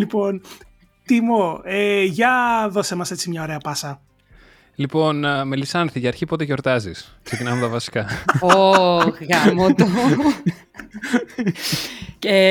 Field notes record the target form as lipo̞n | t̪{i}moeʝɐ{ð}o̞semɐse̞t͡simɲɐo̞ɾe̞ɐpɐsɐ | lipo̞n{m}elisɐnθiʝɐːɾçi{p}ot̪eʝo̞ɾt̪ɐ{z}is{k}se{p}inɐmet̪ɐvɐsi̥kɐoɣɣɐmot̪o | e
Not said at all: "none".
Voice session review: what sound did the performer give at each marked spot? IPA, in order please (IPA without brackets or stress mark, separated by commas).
i, ð, m, p, z, k, c